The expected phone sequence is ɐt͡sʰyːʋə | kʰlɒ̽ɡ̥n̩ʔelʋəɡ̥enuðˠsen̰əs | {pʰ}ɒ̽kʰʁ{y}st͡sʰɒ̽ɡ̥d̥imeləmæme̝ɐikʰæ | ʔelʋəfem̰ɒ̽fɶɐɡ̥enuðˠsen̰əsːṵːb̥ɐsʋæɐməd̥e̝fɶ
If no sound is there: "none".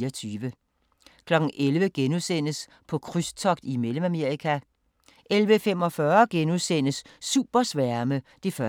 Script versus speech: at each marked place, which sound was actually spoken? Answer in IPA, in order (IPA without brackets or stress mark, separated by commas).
pʰ, y